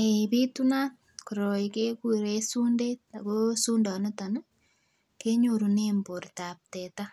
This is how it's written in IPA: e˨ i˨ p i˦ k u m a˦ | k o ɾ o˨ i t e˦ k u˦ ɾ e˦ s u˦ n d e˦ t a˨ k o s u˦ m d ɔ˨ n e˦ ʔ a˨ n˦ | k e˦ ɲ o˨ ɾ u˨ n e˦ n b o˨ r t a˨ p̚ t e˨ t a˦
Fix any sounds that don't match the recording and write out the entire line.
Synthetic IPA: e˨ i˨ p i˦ t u n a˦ | k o ɾ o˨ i k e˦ k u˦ ɾ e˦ s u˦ n d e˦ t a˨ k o s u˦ n d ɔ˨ n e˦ t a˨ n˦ | k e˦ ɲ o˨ ɾ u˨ n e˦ m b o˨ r t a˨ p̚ t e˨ t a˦